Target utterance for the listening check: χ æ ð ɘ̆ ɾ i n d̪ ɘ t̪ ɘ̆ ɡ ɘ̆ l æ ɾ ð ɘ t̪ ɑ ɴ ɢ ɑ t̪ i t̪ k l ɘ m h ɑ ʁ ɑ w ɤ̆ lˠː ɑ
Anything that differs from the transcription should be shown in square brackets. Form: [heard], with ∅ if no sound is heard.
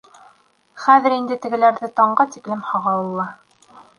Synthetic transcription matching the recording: χ æ ð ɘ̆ ɾ i n d̪ ɘ t̪ ɘ̆ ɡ ɘ̆ l æ ɾ ð ɘ t̪ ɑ ɴ ɢ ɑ t̪ i [∅] k l ɘ m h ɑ ʁ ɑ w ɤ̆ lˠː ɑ